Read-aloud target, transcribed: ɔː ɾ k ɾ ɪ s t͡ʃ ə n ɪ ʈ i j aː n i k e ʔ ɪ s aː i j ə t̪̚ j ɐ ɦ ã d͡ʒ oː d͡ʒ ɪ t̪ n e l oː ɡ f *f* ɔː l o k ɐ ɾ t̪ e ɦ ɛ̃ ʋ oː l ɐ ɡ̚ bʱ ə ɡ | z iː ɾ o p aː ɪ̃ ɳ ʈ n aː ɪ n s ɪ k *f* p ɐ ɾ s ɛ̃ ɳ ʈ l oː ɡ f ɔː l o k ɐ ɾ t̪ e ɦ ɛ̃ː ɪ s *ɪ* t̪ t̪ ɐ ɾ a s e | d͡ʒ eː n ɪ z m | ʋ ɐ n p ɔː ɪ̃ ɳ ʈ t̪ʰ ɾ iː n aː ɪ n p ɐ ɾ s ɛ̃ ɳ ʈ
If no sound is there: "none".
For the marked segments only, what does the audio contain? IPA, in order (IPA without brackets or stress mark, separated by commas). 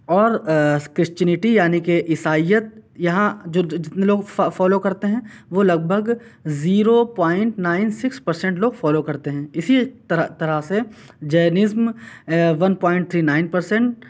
f, s, i